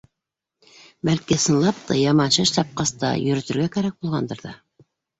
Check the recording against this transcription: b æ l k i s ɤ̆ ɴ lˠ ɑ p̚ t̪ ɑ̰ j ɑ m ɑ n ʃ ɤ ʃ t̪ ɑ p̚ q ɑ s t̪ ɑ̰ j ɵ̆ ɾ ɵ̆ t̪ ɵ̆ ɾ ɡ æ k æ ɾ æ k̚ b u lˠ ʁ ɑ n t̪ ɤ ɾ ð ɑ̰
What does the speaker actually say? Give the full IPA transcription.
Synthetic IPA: b æ l k i s ɤ̆ n lˠ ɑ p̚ t̪ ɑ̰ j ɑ m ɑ n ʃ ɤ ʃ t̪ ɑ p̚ q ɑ s t̪ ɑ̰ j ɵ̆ ɾ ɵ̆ t̪ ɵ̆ ɾ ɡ æ k æ ɾ æ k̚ b u lˠ ʁ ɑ n d̪ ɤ ɾ ð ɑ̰